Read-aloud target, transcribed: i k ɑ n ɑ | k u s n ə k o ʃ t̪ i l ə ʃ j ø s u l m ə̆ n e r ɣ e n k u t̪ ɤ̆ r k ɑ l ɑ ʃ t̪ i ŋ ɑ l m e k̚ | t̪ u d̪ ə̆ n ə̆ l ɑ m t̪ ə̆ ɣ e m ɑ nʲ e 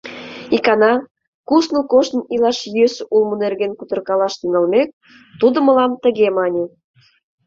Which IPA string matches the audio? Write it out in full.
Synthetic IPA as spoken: i k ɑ n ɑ | k u s n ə k o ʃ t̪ i l ɑ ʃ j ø s u l m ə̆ n e r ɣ e n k u t̪ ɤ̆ r k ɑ l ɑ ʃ t̪ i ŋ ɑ l m e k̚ | t̪ u d̪ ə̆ m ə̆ l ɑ m t̪ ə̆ ɣ e m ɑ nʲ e